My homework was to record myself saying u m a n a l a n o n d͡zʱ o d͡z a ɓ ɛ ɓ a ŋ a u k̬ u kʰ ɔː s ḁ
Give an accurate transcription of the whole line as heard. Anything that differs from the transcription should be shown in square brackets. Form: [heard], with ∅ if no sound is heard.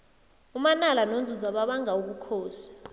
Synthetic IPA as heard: u m a n a l a n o n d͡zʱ [u] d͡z a ɓ [a] ɓ a ŋ a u k̬ u kʰ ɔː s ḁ